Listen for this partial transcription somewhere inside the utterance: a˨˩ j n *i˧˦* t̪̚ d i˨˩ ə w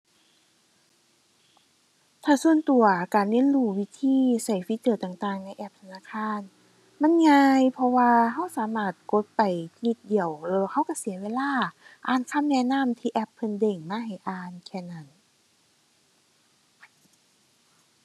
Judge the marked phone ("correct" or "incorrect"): correct